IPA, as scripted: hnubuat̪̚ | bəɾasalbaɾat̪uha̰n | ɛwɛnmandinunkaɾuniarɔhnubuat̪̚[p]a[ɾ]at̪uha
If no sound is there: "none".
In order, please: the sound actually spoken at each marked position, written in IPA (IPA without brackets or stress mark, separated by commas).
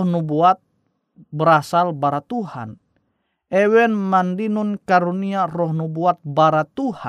b, ɾ